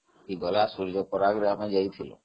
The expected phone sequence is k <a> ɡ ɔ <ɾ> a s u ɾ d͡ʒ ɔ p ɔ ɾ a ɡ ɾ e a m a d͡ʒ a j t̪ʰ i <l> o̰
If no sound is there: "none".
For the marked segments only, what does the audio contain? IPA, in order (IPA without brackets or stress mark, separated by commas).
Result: i, l, l